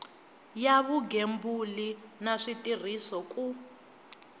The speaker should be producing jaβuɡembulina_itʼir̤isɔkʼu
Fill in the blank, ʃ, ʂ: ʂ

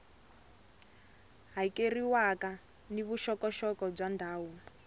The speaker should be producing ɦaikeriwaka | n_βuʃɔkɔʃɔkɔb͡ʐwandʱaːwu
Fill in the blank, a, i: i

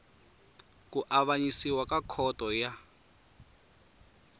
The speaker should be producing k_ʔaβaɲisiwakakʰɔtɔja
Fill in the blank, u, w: u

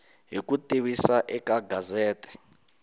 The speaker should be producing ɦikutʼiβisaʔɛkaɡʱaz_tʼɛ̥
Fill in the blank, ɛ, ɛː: ɛː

